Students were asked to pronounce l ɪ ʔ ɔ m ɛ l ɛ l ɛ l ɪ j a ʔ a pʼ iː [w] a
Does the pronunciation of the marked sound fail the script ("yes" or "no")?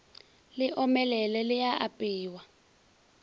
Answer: no